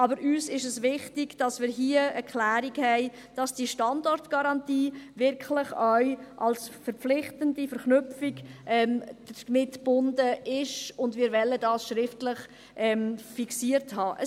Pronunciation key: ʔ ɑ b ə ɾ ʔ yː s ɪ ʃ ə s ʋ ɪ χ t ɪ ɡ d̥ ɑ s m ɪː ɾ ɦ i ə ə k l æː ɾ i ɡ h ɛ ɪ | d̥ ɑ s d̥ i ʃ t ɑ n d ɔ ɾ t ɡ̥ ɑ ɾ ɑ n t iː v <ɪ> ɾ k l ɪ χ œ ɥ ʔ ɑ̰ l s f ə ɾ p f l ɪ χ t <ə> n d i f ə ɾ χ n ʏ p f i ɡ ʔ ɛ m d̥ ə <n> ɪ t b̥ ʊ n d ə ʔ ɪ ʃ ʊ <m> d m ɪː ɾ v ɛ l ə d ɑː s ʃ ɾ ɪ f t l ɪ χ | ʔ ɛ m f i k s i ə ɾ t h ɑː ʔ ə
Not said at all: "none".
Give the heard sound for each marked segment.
ɪ, ə, m, n

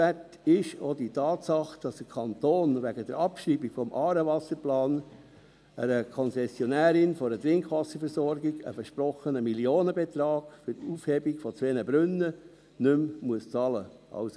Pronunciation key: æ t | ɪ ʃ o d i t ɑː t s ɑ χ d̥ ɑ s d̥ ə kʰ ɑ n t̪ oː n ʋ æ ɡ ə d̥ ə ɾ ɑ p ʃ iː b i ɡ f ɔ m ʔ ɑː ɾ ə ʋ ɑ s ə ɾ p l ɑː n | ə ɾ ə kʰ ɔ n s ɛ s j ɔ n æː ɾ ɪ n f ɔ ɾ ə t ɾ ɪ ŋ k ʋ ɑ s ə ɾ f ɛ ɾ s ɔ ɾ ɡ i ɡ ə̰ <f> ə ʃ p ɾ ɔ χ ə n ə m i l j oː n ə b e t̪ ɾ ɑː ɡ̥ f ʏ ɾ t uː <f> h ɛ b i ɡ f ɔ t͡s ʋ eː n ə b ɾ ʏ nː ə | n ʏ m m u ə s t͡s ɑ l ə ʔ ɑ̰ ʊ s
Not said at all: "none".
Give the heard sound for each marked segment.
f, f

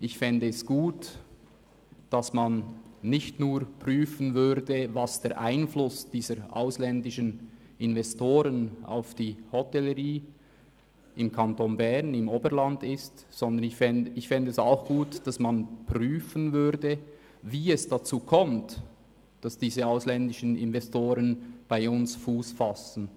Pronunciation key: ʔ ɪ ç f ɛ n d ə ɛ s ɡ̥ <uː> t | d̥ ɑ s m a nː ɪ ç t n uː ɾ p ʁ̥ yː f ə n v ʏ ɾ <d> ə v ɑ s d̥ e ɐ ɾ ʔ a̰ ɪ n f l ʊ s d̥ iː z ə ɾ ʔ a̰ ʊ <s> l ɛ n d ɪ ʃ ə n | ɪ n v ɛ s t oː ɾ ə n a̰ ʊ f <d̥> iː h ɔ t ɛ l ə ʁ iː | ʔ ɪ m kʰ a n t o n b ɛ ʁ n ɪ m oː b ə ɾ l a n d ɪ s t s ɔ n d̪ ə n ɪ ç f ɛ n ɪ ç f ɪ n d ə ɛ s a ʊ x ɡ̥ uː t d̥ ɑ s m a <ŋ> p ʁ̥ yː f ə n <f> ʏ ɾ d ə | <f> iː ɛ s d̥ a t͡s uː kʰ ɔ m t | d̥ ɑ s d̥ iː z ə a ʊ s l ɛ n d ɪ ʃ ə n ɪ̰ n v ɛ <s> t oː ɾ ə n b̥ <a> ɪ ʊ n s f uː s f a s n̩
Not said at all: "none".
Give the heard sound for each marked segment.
uː, d, s, d̥, n, v, v, s, a

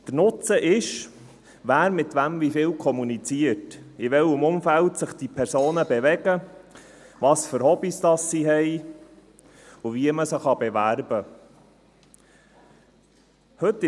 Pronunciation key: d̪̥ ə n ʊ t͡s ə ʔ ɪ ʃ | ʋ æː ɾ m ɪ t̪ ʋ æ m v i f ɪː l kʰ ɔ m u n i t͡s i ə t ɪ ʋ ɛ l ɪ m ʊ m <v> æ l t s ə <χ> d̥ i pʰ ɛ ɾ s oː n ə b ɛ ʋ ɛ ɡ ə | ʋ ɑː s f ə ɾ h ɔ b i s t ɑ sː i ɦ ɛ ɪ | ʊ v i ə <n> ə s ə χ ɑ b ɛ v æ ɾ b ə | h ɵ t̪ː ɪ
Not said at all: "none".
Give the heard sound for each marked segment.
f, χ, m

